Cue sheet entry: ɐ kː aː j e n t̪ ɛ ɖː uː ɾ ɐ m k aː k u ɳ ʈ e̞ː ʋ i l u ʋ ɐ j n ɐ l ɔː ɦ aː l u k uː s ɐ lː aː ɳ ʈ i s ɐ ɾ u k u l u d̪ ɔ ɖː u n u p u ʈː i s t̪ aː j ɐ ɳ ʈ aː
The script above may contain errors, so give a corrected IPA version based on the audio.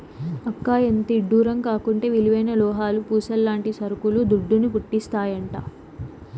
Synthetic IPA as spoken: ɐ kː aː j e n t̪ i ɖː uː ɾ ɐ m k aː k u ɳ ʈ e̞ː ʋ i l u ʋ ɐ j n ɐ l ɔː ɦ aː l u p uː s ɐ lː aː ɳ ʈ i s ɐ ɾ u k u l u d̪ u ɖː u n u p u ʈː i s t̪ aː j ɐ ɳ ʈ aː